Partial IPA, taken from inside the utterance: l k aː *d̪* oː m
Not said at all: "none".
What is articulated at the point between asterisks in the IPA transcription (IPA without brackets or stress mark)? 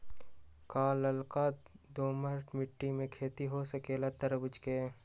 d̪